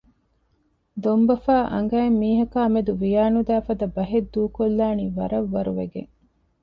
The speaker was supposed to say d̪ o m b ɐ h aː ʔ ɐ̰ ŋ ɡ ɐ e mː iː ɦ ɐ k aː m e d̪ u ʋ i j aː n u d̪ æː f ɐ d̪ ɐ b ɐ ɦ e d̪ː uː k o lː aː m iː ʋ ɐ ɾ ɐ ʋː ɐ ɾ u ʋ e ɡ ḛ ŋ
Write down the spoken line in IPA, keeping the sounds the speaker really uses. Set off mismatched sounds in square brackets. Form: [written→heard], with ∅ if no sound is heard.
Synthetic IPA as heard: d̪ o m b ɐ [h→f] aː ʔ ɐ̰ ŋ ɡ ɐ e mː iː ɦ ɐ k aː m e d̪ u ʋ i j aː n u d̪ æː f ɐ d̪ ɐ b ɐ ɦ e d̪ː uː k o lː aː [m→n] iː ʋ ɐ ɾ ɐ ʋː ɐ ɾ u ʋ e ɡ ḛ ŋ

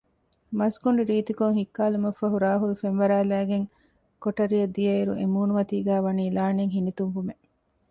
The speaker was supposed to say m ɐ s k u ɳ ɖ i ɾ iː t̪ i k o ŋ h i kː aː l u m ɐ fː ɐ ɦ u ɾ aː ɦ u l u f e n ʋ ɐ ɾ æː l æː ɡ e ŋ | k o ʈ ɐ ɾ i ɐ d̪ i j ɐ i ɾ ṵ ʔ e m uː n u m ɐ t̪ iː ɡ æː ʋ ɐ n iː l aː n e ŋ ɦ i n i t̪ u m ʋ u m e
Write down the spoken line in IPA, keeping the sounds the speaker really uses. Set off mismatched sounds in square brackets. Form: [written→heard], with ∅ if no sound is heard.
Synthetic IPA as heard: m ɐ s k u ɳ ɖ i ɾ iː t̪ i k o ŋ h i kː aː l u m ɐ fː ɐ ɦ u ɾ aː ɦ u l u f e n ʋ ɐ ɾ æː l æː ɡ e ŋ | k o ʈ ɐ ɾ i ɐ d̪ i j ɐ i ɾ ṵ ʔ e m uː n u m ɐ t̪ iː ɡ æː ʋ ɐ n iː l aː n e ŋ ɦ i n i t̪ u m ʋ u m e

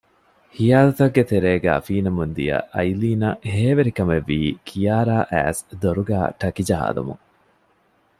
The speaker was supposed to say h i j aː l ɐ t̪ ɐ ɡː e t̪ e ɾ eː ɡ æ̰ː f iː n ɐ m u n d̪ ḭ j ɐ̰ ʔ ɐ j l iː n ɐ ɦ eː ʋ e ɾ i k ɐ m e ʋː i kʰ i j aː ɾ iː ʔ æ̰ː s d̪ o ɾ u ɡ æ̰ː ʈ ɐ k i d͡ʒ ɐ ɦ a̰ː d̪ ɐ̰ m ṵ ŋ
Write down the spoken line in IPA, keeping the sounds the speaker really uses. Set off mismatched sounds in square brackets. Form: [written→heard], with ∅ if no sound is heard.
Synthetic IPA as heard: h i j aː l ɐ t̪ ɐ ɡː e t̪ e ɾ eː ɡ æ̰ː f iː n ɐ m u n d̪ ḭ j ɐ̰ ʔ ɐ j l iː n ɐ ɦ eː ʋ e ɾ i k ɐ m e ʋː [i→iː] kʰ i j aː ɾ [iː→aː] ʔ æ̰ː s d̪ o ɾ u ɡ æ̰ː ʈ ɐ k i d͡ʒ ɐ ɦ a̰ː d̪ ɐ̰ m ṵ ŋ

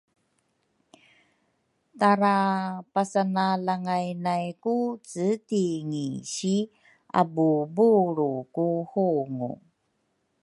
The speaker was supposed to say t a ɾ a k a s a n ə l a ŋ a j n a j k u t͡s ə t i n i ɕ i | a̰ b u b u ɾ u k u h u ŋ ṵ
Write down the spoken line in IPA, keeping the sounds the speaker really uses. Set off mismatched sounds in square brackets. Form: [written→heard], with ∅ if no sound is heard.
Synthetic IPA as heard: t a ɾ a [k→p] a s a n [ə→a] l a ŋ a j n a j k u t͡s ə t i [n→ŋ] i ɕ i | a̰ b u b u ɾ u k u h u ŋ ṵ

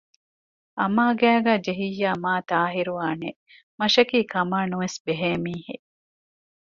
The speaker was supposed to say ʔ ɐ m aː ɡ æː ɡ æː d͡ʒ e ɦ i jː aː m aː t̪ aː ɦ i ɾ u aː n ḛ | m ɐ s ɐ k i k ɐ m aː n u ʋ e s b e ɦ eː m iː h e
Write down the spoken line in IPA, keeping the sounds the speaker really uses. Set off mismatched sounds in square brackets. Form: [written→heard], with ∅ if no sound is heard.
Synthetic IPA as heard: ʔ ɐ m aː ɡ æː ɡ æː d͡ʒ e ɦ i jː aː m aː t̪ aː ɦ i ɾ u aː n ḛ | m ɐ [s→ʃ] ɐ k [i→iː] k ɐ m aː n u ʋ e s b e ɦ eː m iː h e

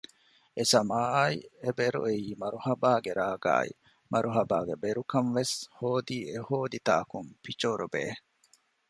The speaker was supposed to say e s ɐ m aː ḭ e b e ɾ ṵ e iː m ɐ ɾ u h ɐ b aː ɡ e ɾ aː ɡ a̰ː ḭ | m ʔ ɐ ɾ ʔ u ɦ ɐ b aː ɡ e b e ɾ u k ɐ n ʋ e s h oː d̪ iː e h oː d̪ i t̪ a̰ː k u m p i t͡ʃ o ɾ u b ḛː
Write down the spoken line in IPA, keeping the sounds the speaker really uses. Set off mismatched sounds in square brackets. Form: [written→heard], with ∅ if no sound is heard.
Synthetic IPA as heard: e s ɐ m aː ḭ e b e ɾ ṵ e iː m ɐ ɾ u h ɐ b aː ɡ e ɾ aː ɡ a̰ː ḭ | m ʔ ɐ ɾ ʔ u ɦ ɐ b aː ɡ e b e ɾ u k ɐ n ʋ e s h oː d̪ iː e h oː d̪ i t̪ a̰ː k u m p i t͡ʃ o ɾ u b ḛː

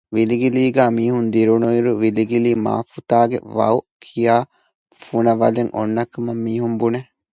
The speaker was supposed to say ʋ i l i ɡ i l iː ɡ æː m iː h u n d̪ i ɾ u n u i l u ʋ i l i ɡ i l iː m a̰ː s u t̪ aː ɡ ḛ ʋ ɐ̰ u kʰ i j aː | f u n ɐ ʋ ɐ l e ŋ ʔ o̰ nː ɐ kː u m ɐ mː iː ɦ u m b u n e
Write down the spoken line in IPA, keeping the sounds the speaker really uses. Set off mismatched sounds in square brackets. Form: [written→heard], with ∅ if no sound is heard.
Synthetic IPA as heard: ʋ i l i ɡ i l iː ɡ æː m iː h u n d̪ i ɾ u n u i [l→ɾ] u ʋ i l i ɡ i l iː m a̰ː [s→f] u t̪ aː ɡ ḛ ʋ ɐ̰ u kʰ i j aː | f u n ɐ ʋ ɐ l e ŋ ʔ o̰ nː ɐ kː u m ɐ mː iː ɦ u m b u n e

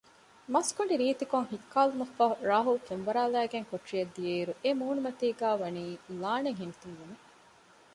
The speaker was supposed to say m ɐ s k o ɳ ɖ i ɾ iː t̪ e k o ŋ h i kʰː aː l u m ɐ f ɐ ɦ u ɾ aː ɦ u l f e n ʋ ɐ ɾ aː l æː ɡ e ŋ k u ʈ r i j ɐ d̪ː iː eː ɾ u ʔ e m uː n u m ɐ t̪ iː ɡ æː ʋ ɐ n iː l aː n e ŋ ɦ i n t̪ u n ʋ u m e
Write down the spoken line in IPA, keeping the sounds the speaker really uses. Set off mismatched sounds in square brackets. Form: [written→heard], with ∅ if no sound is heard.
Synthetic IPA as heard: m ɐ s k o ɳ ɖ i ɾ iː t̪ [e→i] k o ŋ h i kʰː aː l u m ɐ f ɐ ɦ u ɾ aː ɦ u l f e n ʋ ɐ ɾ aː l æː ɡ e ŋ k [u→o] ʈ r i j ɐ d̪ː [iː→i] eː ɾ u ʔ e m uː n u m ɐ t̪ iː ɡ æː ʋ ɐ n iː l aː n e ŋ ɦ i n t̪ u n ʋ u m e

